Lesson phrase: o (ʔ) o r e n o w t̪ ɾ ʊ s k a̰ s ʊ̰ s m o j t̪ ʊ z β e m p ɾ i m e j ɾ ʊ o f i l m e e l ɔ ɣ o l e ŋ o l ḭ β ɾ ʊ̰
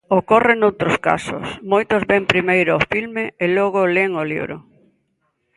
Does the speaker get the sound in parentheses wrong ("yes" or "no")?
yes